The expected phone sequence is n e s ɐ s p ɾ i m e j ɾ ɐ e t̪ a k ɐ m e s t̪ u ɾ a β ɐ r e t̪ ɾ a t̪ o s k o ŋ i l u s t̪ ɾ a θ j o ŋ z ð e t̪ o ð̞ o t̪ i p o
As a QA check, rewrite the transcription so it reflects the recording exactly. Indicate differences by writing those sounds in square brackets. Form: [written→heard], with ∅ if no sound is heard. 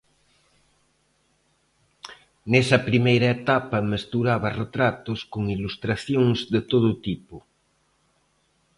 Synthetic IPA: n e s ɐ [s→∅] p ɾ i m e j ɾ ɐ e t̪ a [k→p] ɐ m e s t̪ u ɾ a β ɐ r e t̪ ɾ a t̪ o s k o ŋ i l u s t̪ ɾ a θ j o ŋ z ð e t̪ o ð̞ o t̪ i p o